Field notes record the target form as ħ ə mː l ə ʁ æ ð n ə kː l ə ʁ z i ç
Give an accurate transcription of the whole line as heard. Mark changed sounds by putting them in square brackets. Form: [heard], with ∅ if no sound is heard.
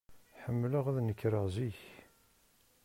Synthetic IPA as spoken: ħ ə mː l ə ʁ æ ð n ə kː [ɾ] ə ʁ z i ç